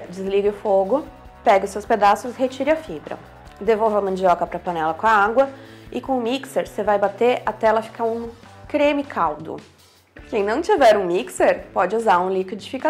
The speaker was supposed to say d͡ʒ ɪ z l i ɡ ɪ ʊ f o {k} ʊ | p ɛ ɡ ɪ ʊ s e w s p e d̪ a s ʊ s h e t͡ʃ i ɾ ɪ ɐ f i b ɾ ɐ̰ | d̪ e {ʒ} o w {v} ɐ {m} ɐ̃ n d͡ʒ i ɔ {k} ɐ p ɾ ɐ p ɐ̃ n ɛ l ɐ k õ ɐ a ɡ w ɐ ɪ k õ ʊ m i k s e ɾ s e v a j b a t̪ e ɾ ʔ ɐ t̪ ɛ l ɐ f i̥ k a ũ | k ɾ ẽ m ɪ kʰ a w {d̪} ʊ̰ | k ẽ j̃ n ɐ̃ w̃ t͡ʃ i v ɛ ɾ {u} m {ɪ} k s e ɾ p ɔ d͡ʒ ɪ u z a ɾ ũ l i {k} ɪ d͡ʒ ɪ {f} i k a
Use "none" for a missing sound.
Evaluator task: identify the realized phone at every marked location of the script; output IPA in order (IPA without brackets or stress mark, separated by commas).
ɡ, v, v, m, k, d̪, ũ, i, k, f